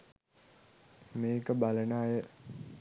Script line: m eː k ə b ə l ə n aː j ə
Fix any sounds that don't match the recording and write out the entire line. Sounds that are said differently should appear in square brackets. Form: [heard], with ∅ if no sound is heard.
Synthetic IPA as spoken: m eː k ə b [a] l ə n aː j ə